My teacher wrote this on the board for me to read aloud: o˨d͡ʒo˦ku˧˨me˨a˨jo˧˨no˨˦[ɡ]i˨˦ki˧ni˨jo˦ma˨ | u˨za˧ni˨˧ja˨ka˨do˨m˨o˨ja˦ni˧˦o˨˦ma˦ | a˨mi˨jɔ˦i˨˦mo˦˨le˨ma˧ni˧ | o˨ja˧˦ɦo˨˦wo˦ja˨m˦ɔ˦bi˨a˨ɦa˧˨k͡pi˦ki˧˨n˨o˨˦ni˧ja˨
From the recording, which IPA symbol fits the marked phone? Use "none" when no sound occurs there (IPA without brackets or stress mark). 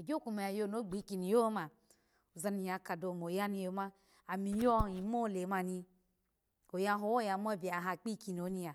ɡ͡b